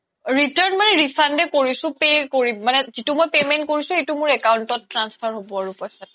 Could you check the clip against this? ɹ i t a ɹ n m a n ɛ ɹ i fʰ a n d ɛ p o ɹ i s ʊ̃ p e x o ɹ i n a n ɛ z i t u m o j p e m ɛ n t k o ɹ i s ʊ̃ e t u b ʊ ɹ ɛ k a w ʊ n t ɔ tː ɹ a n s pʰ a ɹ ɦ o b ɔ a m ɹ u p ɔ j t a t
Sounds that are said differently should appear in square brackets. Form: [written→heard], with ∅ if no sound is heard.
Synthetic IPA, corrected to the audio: ɹ i t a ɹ n m a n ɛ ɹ i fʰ a n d ɛ [p→k] o ɹ i s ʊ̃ p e [x→k] o ɹ i [n→m] a n ɛ z i t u m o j p e m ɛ n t k o ɹ i s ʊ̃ e t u [b→m] ʊ ɹ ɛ k a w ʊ n t ɔ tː ɹ a n s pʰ a ɹ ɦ o b ɔ a [m→∅] ɹ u p ɔ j [t→s] a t